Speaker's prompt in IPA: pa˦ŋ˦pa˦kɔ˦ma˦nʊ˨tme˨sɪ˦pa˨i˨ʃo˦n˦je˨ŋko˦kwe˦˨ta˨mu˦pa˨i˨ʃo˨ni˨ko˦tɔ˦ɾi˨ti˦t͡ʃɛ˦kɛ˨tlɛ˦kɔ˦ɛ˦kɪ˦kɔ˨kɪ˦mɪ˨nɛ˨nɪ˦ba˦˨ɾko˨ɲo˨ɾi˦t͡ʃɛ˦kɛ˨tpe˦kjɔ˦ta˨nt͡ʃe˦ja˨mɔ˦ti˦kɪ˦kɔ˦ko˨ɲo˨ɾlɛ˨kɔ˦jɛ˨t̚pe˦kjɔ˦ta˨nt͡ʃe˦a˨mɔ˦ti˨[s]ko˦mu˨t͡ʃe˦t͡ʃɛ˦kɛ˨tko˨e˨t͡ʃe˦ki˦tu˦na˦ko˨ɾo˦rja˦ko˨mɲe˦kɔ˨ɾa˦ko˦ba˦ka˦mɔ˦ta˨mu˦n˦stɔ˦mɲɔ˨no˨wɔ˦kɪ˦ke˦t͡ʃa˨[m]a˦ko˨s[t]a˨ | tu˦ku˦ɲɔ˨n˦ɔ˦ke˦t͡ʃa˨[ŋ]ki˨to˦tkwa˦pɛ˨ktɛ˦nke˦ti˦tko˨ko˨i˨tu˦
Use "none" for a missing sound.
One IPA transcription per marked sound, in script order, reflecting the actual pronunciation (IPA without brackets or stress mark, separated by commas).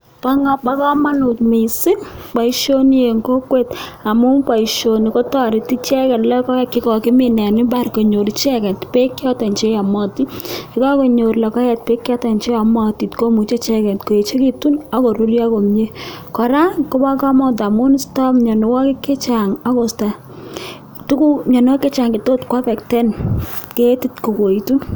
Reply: t, ŋ, t, ŋ